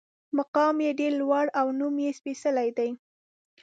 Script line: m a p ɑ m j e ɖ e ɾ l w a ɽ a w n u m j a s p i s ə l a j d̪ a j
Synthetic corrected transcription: m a q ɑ m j e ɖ e ɾ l w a ɽ a w n u m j e s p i s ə l a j d̪ a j